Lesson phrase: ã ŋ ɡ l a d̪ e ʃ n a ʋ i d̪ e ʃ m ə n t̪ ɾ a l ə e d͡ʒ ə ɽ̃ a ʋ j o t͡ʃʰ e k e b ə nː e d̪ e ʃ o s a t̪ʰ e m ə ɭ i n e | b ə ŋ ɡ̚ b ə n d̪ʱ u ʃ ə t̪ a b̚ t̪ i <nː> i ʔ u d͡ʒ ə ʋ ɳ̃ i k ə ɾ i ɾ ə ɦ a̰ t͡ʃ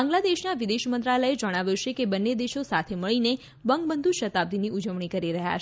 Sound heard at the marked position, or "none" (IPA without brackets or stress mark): n